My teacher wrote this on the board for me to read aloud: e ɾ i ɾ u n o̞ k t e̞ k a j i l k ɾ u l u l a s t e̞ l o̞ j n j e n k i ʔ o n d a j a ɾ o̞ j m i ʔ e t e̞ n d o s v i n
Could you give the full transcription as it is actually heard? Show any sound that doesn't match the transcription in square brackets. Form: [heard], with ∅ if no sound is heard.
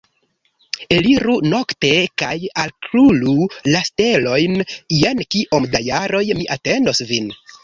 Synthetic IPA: e [l] i ɾ u n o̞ k t e̞ k a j [a] l k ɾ u l u l a s t e̞ l o̞ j n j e n k i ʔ o [m] d a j a ɾ o̞ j m i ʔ [a] t e̞ n d o s v i n